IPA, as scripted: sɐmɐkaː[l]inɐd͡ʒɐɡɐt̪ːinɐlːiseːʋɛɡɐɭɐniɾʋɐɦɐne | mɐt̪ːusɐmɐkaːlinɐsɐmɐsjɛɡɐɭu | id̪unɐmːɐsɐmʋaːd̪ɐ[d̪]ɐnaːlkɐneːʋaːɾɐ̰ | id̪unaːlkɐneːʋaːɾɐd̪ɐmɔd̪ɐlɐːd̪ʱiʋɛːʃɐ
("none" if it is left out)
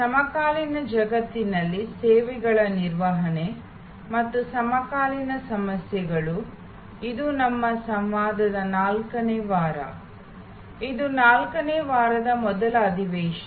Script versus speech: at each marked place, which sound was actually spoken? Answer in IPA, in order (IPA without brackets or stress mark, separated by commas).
l, d̪